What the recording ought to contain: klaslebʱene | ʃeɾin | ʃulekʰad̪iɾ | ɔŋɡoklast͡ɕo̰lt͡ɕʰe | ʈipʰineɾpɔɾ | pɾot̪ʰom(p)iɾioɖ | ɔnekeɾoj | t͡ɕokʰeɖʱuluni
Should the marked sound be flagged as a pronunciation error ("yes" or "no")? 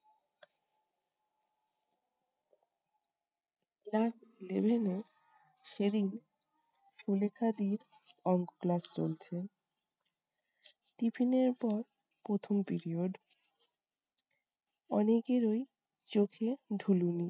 no